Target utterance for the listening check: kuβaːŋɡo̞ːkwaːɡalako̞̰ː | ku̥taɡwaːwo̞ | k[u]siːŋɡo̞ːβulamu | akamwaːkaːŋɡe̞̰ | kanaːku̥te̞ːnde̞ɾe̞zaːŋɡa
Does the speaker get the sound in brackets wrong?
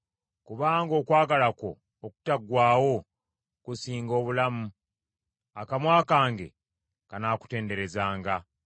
no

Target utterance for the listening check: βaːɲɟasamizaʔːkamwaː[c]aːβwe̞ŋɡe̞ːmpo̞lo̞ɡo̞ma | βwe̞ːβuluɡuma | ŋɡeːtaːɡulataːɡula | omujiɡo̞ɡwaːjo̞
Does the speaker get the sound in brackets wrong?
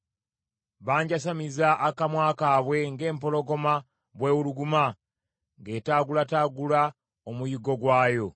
yes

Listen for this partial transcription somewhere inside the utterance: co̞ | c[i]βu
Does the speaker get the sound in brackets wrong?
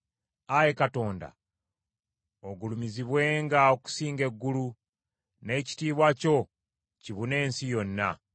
no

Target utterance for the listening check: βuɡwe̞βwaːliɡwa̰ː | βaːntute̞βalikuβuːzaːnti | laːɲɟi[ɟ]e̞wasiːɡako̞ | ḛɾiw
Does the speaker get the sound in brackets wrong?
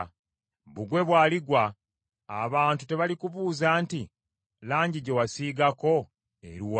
no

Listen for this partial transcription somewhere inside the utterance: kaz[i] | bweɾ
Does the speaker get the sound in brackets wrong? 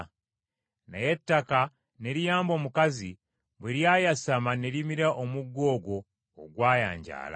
no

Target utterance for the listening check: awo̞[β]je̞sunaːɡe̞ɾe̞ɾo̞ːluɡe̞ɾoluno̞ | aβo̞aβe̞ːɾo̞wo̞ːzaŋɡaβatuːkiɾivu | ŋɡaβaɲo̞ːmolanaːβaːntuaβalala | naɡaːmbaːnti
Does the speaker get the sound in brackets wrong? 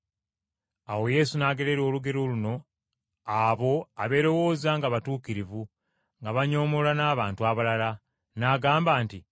yes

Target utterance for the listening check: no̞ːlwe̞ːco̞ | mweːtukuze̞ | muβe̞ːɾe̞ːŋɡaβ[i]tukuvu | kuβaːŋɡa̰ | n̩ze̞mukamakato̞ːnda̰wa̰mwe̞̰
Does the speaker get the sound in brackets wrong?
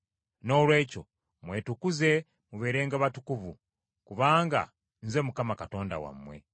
yes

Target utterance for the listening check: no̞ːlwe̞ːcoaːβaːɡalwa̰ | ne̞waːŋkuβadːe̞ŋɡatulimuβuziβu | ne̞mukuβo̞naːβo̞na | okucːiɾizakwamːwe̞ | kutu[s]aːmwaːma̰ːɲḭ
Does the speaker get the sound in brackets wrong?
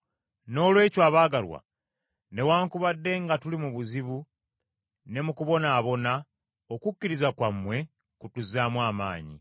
yes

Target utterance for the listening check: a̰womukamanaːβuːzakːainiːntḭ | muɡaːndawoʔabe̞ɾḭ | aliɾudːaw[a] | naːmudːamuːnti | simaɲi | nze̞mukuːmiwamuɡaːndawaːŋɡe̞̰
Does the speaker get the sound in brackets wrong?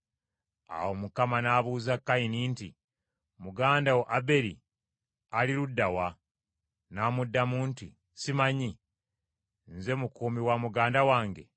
no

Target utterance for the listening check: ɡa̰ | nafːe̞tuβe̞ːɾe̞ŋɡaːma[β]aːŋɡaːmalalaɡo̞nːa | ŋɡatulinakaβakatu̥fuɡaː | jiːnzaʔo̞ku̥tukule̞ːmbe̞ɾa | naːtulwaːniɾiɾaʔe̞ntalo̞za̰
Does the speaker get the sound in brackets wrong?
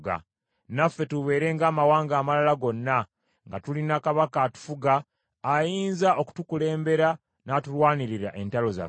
yes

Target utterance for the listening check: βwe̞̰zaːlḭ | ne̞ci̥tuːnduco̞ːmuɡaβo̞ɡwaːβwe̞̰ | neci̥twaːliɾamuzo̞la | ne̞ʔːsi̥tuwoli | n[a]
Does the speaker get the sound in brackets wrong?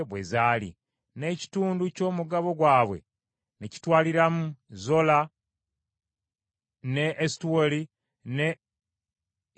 yes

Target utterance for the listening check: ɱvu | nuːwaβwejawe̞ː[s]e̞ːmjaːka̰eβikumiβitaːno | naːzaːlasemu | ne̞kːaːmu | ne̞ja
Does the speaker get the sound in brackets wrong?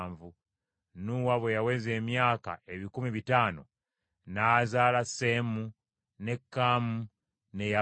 yes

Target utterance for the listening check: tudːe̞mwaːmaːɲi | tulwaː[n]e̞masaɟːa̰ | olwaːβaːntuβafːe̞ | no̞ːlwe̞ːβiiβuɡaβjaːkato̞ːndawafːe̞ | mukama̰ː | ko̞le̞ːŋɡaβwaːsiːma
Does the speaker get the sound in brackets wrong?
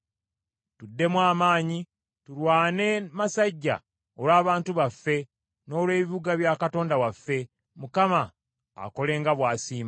no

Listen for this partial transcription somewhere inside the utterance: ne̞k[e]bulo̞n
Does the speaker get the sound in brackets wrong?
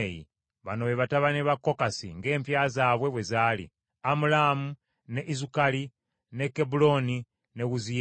no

